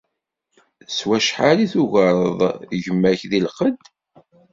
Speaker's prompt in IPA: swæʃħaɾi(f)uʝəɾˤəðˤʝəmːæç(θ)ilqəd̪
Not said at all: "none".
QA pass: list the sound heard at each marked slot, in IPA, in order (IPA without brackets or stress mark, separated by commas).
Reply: θ, ð